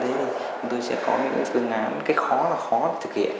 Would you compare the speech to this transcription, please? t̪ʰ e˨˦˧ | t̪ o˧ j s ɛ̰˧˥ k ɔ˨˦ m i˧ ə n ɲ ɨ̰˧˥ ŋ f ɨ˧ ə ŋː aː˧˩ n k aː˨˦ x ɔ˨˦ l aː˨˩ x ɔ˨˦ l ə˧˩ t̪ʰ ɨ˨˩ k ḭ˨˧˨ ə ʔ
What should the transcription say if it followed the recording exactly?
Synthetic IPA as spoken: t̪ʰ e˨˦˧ | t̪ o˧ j s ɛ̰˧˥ k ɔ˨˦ m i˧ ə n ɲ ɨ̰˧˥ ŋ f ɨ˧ ə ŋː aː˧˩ n k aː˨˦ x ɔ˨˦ l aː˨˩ x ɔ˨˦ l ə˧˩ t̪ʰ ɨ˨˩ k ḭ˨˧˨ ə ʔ